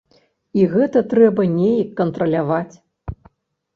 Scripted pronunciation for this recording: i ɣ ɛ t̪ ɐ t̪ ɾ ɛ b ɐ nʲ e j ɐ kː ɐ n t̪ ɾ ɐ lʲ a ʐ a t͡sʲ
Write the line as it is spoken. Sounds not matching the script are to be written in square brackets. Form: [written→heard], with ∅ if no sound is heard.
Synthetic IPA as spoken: i ɣ ɛ t̪ ɐ t̪ ɾ ɛ b ɐ nʲ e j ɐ kː ɐ n t̪ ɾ ɐ lʲ a [ʐ→v] a t͡sʲ